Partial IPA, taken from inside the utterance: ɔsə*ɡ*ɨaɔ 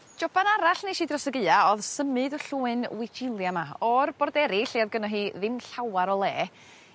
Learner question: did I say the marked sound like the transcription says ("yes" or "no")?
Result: yes